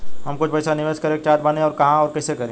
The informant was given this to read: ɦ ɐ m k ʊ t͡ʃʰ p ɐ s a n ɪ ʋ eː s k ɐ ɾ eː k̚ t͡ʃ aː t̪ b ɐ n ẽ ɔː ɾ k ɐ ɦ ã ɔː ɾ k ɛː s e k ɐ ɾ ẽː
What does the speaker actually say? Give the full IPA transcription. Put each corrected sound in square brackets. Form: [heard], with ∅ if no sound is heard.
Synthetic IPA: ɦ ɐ m k ʊ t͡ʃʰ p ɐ s a n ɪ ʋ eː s k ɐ ɾ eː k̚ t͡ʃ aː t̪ b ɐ n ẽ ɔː ɾ k ɐ ɦ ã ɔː ɾ k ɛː s e k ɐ ɾ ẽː